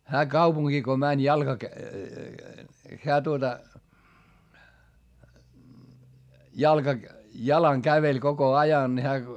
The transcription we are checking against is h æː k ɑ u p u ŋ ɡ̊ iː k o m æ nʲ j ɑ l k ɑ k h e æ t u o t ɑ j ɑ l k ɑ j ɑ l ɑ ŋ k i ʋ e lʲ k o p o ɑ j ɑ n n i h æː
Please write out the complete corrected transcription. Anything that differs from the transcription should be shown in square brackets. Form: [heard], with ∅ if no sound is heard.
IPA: h æː k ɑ u p u ŋ ɡ̊ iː k o m æ nʲ j ɑ l k ɑ k h e æ t u o t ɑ j ɑ l k ɑ j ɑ l ɑ ŋ k [æ] ʋ e lʲ k o [k] o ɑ j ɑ n n i h æː